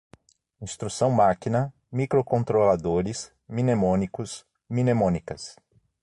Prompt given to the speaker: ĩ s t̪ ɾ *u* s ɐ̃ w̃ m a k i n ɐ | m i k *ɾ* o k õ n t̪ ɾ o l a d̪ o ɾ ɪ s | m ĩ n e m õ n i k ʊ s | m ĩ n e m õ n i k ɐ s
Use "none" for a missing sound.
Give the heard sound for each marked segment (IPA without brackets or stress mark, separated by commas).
u, ɾ